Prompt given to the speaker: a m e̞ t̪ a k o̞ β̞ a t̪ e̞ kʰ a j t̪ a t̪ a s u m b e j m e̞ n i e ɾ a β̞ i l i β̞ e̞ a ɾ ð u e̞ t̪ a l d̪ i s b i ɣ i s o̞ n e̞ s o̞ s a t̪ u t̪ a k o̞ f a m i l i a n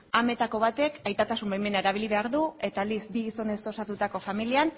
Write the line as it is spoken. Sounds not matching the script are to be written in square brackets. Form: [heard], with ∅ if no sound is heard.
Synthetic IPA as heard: a m e̞ t̪ a k o̞ β̞ a t̪ e̞ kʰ a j t̪ a t̪ a s u m b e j m e̞ n [a] e ɾ a β̞ i l i β̞ e̞ a ɾ ð u e̞ t̪ a l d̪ i s b i ɣ i s o̞ n e̞ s o̞ s a t̪ u t̪ a k o̞ f a m i l i a n